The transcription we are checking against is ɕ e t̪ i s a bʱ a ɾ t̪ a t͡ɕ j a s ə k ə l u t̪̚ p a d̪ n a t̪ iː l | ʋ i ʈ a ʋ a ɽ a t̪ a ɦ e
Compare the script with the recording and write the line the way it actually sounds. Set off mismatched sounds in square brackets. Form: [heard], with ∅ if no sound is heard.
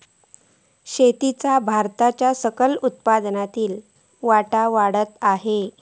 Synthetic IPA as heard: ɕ e t̪ i [t͡s] a bʱ a ɾ t̪ a t͡ɕ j a s ə k ə l u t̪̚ p a d̪ n a t̪ iː l | ʋ [a] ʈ a ʋ a ɽ [ə] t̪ a ɦ e